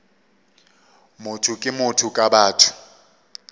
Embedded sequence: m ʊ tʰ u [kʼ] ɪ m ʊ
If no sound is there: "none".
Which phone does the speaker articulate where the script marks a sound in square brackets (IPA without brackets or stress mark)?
kʼ